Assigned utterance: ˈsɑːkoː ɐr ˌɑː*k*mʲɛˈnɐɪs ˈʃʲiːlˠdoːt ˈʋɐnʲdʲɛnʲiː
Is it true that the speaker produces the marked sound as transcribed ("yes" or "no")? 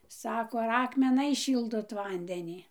yes